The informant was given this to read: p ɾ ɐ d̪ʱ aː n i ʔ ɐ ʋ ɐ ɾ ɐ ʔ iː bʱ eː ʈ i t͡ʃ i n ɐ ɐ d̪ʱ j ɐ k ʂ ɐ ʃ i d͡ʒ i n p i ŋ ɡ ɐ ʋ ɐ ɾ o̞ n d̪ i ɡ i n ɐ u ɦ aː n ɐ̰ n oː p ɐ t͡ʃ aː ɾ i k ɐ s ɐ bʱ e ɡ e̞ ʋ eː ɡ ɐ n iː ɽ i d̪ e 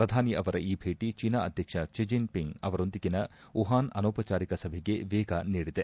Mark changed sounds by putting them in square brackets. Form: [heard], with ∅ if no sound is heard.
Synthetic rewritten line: p ɾ ɐ d̪ʱ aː n i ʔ ɐ ʋ ɐ ɾ ɐ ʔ iː bʱ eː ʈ i t͡ʃ i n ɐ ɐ d̪ʱ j ɐ k ʂ ɐ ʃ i d͡ʒ i n p i ŋ ɡ ɐ ʋ ɐ ɾ o̞ n d̪ i ɡ i n ɐ u ɦ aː n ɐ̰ n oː p ɐ t͡ʃ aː ɾ i k ɐ s ɐ bʱ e ɡ e̞ ʋ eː ɡ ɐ n iː ɽ i d̪ e